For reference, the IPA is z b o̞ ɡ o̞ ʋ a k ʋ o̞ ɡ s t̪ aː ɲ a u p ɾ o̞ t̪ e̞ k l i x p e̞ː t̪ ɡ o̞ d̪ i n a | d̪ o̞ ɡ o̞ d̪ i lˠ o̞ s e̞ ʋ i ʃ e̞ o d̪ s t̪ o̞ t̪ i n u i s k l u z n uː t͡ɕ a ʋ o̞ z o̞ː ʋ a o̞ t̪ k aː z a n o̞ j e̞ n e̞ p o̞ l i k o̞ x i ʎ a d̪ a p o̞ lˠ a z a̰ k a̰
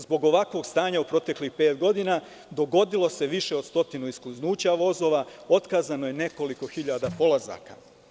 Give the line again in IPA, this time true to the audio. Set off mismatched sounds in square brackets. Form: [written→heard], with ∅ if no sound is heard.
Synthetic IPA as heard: z b o̞ ɡ o̞ ʋ a k ʋ o̞ ɡ s t̪ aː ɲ a u p ɾ o̞ t̪ e̞ k l i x p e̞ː t̪ ɡ o̞ d̪ i n a | d̪ o̞ ɡ o̞ d̪ i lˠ o̞ s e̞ ʋ i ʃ e̞ o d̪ s t̪ o̞ t̪ i n u i s k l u z n uː t͡ɕ a ʋ o̞ z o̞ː ʋ a o̞ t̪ k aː z a n o̞ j e̞ n e̞ [p→k] o̞ l i k o̞ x i ʎ a d̪ a p o̞ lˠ a z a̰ k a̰